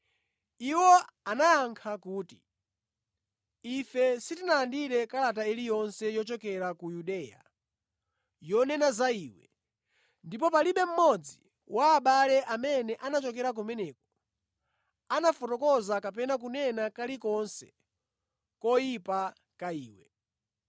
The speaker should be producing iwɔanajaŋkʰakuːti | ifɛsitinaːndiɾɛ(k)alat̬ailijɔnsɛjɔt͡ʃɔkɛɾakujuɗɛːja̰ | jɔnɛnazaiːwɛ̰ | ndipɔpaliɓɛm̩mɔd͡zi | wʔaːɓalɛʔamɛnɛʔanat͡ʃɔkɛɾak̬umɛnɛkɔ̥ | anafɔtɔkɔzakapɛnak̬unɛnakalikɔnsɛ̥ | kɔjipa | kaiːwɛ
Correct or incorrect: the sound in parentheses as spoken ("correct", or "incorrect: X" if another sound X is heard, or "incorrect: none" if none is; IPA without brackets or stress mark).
correct